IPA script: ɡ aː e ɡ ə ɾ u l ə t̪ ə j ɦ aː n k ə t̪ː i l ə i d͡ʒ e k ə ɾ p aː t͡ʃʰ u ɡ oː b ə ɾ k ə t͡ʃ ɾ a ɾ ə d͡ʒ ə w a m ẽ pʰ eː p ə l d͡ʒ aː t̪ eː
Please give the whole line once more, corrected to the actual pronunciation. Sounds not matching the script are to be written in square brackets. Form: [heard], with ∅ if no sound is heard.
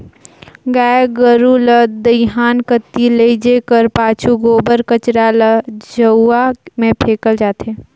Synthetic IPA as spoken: ɡ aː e ɡ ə ɾ u l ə [d̪] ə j ɦ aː n k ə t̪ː i l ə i d͡ʒ e k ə ɾ p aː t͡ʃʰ u ɡ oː b ə ɾ k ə t͡ʃ ɾ a [l] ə d͡ʒ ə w a m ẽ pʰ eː [k] ə l d͡ʒ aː t̪ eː